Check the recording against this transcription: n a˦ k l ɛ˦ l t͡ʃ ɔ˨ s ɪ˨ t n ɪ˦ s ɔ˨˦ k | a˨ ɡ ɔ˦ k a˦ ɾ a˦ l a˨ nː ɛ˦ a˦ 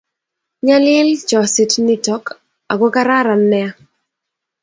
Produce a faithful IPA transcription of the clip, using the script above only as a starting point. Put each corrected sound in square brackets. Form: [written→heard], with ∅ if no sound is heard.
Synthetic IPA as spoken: [n→ɲ] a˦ [k→∅] l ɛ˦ l t͡ʃ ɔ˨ s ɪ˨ t n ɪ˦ [s→t] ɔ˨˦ k | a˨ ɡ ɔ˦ k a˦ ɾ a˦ [l→ɾ] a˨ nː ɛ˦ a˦